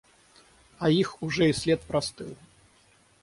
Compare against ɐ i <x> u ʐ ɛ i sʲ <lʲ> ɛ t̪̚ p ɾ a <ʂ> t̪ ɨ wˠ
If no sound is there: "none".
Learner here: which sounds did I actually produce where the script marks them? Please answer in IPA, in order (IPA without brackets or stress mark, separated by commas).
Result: x, lʲ, s